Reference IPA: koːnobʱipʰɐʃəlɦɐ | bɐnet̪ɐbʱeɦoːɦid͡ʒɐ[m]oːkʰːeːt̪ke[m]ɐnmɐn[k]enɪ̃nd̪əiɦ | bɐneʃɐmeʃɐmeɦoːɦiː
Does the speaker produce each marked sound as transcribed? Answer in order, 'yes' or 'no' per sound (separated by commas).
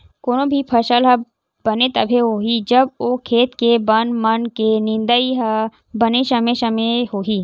no, no, yes